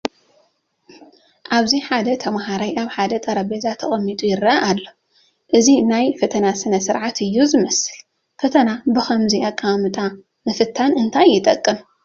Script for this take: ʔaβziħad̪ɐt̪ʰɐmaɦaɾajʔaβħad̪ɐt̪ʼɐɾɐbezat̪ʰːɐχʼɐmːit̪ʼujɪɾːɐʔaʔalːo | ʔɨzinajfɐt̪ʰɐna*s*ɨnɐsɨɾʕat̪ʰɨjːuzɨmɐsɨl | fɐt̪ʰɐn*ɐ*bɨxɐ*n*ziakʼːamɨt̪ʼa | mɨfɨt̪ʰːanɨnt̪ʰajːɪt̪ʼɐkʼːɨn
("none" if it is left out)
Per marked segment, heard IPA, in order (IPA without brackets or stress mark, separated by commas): s, a, m